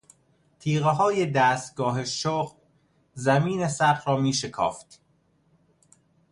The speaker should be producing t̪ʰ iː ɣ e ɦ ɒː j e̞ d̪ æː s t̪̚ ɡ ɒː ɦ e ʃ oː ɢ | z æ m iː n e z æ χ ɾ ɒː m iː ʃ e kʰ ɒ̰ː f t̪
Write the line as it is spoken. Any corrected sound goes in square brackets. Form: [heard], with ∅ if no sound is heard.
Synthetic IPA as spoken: t̪ʰ iː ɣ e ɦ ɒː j e̞ d̪ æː s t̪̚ ɡ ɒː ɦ e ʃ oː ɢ | z æ m iː n e [s] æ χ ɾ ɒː m iː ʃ e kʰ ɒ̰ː f t̪